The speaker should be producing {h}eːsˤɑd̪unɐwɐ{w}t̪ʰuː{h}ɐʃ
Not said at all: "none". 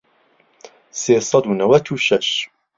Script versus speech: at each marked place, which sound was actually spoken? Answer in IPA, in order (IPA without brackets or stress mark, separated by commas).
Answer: s, none, ʃ